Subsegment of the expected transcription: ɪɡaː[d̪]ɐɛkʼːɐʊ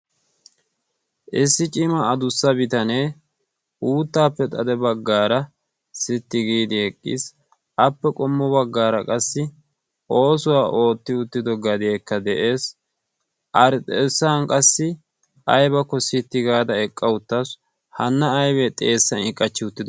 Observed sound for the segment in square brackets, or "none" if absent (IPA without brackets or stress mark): d̪